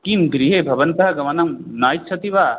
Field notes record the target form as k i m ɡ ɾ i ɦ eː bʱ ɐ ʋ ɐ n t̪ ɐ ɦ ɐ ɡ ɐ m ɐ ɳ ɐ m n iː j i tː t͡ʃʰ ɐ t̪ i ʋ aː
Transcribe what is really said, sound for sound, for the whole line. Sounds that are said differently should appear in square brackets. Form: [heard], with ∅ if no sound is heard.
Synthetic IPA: k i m ɡ ɾ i ɦ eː bʱ ɐ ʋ ɐ n t̪ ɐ ɦ ɐ ɡ ɐ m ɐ [n] ɐ m n [aː] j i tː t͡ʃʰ ɐ t̪ i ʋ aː